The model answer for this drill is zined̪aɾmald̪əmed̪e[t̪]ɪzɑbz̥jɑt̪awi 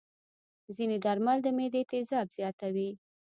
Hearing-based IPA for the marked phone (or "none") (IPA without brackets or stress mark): t̪